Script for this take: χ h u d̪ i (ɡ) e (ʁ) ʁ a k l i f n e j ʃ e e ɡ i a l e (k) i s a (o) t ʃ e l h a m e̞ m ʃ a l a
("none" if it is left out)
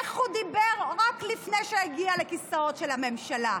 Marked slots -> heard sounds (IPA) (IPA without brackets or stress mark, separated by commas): b, ʁ, k, o